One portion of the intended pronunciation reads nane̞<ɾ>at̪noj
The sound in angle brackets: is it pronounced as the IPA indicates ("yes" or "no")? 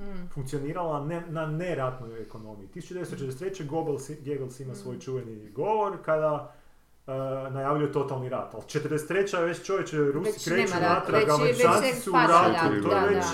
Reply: yes